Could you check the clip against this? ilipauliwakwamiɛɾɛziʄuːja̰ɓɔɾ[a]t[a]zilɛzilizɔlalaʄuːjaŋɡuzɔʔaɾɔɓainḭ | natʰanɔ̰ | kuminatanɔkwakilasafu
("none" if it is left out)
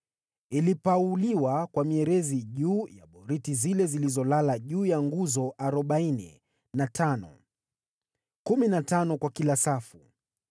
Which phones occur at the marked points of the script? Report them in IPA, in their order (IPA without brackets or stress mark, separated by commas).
i, i